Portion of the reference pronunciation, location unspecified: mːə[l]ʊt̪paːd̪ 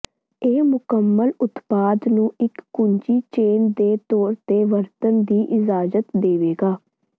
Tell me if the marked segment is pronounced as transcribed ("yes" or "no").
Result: yes